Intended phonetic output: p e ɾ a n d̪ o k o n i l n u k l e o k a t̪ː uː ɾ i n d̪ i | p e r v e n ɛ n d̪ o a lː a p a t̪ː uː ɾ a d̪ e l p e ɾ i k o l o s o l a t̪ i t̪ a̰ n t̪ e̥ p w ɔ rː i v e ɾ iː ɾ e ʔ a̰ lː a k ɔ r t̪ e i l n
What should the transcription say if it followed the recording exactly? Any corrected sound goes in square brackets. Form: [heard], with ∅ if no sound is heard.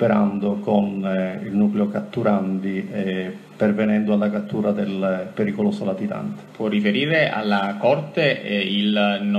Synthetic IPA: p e ɾ a n d̪ o k o n i l n u k l e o k a t̪ː [u] ɾ [a] n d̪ i | p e r v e n ɛ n d̪ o a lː a [k] a t̪ː uː ɾ a d̪ e l p e ɾ i k o l o s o l a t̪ i t̪ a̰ n t̪ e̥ p w ɔ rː i [f] e ɾ iː ɾ e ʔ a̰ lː a k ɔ r t̪ e i l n